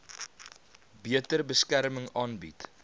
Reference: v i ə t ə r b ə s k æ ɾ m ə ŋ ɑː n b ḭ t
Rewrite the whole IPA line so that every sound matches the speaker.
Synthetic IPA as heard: b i ə t ə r b ə s k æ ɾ m ə ŋ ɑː n b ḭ t

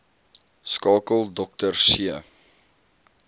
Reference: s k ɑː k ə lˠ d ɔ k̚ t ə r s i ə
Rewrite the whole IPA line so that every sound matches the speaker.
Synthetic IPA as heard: s k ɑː k ə lˠ d ɔ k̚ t ə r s i ə

